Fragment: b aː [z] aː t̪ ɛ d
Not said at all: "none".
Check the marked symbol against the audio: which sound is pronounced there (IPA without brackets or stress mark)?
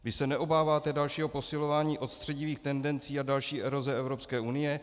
v